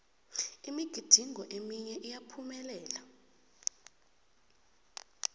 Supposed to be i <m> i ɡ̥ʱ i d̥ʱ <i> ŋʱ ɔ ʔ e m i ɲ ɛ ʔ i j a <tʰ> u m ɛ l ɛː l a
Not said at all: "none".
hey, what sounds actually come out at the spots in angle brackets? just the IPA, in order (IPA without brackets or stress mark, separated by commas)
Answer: m, i, pʰ